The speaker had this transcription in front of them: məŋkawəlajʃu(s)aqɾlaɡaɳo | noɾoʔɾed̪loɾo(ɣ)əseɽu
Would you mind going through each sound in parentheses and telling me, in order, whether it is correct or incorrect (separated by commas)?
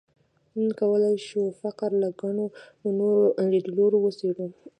incorrect, incorrect